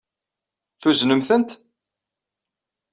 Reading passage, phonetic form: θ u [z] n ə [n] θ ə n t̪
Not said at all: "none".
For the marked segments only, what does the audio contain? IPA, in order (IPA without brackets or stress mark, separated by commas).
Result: z, m